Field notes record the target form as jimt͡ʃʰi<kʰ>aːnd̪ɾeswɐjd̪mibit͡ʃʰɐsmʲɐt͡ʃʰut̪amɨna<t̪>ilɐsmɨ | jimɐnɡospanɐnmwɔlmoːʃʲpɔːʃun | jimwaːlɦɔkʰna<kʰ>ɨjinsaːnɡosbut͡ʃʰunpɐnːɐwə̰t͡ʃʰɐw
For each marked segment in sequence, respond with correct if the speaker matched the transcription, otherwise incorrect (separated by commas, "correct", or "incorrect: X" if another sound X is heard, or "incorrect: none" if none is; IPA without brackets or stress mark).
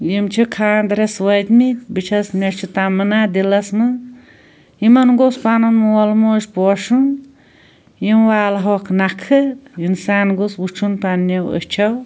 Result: correct, incorrect: d̪, correct